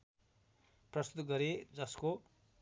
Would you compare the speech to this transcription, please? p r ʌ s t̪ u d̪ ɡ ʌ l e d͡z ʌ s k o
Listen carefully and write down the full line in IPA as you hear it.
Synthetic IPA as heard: p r ʌ s t̪ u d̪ ɡ ʌ ɾ e d͡z ʌ s k o